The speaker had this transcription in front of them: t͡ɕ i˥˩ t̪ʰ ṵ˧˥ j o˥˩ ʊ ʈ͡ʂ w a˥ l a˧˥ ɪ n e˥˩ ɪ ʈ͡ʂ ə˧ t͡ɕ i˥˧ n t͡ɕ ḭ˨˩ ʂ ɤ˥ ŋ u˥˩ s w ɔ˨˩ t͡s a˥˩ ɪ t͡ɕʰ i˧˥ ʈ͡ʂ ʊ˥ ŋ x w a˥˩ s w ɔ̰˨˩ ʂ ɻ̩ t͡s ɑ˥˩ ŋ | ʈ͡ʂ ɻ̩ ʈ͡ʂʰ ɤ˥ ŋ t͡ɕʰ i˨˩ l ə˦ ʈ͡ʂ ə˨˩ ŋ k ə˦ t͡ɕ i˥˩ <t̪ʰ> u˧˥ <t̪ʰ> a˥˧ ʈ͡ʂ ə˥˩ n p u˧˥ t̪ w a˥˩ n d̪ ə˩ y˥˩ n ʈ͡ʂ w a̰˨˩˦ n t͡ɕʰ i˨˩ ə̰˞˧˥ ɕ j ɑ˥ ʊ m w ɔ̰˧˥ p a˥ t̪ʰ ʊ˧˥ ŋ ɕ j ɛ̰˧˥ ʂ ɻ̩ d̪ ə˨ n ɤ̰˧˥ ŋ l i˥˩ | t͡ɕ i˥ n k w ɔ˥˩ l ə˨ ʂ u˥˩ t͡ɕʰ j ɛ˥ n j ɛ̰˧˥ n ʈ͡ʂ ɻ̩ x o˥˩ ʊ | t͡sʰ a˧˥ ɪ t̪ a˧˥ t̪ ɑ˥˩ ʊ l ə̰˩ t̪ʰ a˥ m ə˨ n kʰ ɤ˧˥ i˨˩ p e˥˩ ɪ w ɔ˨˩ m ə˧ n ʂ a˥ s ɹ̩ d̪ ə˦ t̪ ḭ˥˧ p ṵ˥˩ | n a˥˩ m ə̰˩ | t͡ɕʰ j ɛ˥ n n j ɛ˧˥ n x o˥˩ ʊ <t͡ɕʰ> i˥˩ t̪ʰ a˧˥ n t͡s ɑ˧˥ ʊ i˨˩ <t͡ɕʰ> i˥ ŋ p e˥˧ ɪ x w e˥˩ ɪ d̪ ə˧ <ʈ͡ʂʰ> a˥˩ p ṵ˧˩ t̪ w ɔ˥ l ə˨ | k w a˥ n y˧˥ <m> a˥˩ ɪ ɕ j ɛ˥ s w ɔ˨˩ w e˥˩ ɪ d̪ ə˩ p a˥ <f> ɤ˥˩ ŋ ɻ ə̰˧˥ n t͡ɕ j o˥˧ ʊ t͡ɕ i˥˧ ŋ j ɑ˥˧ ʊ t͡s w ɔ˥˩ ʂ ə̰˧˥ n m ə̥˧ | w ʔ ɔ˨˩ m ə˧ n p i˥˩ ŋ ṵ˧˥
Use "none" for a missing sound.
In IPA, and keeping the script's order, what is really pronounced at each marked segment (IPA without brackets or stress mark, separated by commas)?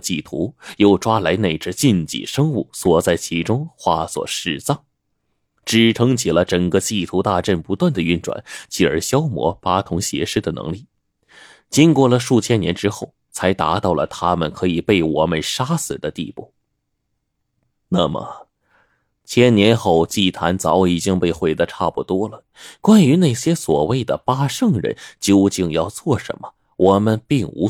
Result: t̪ʰ, t̪, t͡ɕ, t͡ɕ, ʈ͡ʂʰ, n, ʂ